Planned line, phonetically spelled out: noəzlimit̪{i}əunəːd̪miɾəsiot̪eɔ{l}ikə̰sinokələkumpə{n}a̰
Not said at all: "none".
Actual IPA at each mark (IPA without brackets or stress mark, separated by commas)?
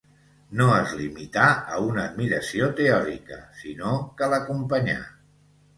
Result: a, ɾ, ɲ